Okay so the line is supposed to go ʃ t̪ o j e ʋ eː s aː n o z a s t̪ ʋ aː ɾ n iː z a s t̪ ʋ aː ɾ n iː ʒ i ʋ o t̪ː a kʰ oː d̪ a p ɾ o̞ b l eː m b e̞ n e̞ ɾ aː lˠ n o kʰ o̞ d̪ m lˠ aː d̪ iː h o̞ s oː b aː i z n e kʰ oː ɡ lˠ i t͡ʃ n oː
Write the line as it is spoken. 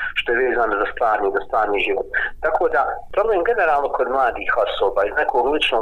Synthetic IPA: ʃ t̪ o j e ʋ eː z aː n o z a s t̪ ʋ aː ɾ n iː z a s t̪ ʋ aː ɾ n iː ʒ i ʋ o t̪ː a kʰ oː d̪ a p ɾ o̞ b l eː m ɡ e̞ n e̞ ɾ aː lˠ n o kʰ o̞ d̪ m lˠ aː d̪ iː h o̞ s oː b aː i z n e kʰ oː ɡ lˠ i t͡ʃ n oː